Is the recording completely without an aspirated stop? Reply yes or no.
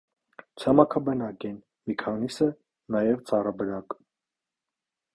no